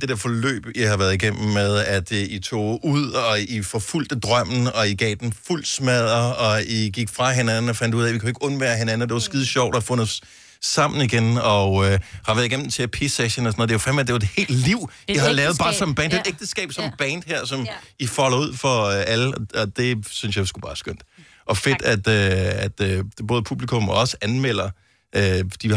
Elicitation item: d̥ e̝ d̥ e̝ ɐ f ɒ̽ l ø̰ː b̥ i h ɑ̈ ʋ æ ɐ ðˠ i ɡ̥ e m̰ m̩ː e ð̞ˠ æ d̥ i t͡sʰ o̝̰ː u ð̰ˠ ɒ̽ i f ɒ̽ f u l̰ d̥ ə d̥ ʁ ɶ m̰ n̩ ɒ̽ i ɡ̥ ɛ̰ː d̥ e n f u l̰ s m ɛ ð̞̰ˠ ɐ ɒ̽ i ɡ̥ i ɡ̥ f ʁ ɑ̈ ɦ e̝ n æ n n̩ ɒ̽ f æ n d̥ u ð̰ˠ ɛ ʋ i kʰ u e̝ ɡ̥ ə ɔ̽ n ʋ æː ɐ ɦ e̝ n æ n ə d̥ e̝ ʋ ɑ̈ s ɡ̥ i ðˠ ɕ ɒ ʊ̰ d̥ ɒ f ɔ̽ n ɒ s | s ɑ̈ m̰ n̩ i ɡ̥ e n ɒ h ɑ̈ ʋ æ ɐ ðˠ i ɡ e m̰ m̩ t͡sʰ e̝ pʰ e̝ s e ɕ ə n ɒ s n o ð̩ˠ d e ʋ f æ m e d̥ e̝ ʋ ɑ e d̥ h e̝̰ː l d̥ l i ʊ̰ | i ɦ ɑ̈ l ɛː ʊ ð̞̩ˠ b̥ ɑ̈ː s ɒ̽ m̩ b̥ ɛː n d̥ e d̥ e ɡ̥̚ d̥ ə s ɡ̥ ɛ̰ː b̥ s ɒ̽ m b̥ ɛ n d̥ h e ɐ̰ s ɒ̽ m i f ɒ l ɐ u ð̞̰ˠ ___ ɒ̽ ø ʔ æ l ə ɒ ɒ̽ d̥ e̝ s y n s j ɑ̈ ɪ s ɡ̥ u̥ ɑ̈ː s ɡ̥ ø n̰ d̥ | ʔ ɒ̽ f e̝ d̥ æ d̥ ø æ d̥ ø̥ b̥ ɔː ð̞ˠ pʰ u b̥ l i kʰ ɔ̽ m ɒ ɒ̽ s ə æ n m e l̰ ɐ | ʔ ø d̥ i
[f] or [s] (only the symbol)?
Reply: f